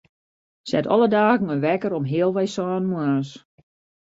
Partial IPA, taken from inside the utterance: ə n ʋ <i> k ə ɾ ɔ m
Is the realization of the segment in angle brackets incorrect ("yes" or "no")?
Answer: yes